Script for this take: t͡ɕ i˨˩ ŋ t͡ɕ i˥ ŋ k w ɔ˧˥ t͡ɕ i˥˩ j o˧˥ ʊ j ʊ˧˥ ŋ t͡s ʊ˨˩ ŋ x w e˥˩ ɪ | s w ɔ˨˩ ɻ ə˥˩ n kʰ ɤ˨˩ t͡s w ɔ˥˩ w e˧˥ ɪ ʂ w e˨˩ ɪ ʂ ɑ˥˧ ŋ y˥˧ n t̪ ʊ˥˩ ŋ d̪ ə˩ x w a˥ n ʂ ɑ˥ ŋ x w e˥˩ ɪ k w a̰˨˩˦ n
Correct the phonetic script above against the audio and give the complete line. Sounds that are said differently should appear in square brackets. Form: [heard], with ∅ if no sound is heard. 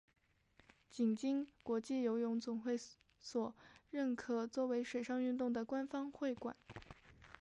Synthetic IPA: t͡ɕ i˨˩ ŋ t͡ɕ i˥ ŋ k w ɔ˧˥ t͡ɕ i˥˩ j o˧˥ ʊ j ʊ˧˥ ŋ t͡s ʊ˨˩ ŋ x w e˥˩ ɪ | s w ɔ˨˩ ɻ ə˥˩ n kʰ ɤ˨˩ t͡s w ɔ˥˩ w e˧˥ ɪ ʂ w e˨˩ ɪ ʂ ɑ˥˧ ŋ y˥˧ n t̪ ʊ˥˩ ŋ d̪ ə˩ [k] w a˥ n [f] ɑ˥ ŋ x w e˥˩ ɪ k w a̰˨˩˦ n